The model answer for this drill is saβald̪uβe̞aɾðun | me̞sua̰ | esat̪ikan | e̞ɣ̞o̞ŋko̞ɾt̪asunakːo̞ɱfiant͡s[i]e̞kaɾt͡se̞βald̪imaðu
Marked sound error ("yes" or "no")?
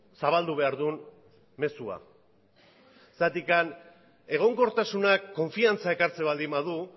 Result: yes